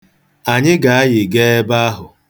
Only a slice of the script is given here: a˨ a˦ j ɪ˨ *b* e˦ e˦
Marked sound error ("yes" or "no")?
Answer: yes